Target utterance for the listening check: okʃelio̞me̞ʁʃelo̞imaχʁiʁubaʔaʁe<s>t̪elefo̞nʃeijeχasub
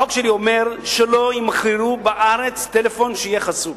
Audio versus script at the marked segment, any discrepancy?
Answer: yes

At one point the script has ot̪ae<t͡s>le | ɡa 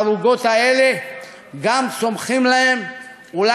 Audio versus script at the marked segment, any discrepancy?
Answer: yes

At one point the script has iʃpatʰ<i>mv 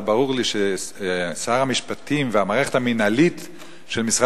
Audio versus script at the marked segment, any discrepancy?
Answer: no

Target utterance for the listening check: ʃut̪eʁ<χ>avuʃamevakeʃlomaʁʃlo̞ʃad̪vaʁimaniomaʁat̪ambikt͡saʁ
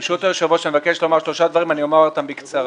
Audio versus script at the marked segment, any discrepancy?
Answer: yes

